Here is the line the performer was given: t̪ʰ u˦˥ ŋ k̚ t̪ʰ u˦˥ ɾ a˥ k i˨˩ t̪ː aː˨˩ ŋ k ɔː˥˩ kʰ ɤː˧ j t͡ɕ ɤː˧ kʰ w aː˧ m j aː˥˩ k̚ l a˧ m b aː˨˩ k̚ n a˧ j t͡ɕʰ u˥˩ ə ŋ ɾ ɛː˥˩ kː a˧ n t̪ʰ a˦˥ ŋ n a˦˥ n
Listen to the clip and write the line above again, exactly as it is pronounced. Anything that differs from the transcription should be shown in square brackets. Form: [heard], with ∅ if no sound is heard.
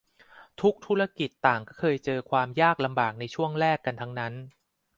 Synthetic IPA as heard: t̪ʰ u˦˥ [∅] k̚ t̪ʰ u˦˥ ɾ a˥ k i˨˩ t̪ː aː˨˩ ŋ k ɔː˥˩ kʰ ɤː˧ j t͡ɕ ɤː˧ kʰ w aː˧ m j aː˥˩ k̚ l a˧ m b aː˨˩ k̚ n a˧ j t͡ɕʰ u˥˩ ə ŋ ɾ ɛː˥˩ kː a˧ n t̪ʰ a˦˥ ŋ n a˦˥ n